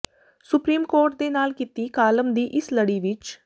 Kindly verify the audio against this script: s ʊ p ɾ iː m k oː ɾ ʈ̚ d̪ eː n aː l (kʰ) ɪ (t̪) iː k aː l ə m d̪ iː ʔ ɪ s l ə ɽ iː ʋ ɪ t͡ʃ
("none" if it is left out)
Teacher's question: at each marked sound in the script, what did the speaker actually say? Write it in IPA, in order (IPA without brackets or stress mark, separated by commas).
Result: k, t̪